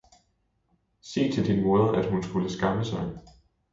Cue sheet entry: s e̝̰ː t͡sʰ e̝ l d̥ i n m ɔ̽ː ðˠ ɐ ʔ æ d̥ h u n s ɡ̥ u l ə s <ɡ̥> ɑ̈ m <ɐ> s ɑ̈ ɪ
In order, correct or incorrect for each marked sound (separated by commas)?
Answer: correct, incorrect